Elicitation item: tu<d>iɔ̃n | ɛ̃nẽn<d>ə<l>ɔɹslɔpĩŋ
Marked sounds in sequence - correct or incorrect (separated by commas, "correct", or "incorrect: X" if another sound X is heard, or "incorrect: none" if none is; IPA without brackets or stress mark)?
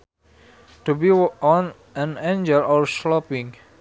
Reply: incorrect: b, incorrect: d͡ʒ, correct